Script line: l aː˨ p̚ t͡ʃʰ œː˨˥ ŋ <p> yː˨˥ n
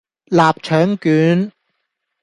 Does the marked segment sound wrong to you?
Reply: yes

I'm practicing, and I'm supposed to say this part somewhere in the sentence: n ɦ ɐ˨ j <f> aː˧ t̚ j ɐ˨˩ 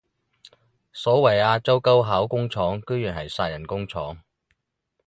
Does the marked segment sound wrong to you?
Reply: yes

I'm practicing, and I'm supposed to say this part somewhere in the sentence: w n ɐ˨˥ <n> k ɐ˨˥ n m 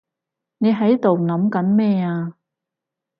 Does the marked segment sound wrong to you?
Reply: yes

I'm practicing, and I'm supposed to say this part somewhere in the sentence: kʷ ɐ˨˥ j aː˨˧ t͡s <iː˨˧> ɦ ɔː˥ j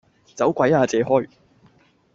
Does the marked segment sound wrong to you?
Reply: yes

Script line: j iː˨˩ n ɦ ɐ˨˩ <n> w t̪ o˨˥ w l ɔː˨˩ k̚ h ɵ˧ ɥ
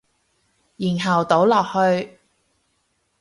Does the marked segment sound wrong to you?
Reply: yes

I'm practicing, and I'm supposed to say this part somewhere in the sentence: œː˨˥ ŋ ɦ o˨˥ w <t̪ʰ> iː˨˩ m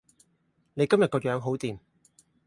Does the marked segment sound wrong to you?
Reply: yes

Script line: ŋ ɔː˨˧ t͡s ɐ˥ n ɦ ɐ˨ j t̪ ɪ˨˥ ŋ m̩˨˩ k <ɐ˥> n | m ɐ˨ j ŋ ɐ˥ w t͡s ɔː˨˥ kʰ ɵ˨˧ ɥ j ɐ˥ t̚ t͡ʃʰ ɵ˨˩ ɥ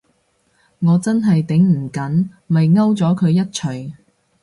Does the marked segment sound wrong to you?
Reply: yes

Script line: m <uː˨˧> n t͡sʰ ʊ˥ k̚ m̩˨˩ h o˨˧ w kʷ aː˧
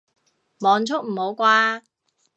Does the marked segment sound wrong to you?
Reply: yes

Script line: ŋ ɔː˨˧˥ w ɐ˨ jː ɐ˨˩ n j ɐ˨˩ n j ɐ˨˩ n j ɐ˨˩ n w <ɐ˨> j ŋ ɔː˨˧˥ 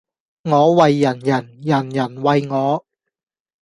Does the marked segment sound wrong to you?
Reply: no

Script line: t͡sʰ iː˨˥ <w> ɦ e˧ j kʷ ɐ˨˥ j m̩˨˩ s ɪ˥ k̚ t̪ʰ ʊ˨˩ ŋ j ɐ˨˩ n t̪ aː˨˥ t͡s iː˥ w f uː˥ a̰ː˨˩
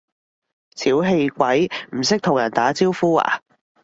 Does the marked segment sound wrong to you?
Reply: no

